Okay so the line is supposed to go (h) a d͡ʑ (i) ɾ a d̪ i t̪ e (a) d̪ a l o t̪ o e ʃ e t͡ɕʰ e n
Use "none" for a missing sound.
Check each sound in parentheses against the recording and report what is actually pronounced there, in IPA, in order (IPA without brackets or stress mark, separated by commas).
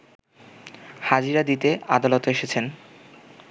h, i, a